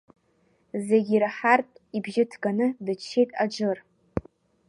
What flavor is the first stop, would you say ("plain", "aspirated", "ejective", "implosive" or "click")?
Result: plain